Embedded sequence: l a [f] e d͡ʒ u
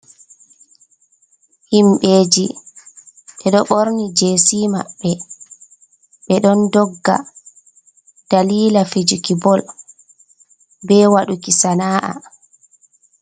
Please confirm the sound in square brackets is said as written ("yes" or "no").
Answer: yes